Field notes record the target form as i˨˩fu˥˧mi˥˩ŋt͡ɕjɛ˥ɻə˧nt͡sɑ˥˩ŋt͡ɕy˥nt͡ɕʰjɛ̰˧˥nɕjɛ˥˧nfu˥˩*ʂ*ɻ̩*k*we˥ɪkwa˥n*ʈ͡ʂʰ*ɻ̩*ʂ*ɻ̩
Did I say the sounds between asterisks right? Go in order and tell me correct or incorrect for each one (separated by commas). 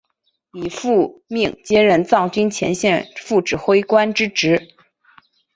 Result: incorrect, incorrect, incorrect, incorrect